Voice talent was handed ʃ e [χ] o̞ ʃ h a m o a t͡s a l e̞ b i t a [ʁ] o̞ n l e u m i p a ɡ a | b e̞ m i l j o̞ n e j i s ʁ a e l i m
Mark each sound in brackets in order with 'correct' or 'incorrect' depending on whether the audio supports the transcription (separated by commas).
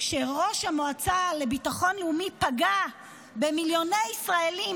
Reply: incorrect, incorrect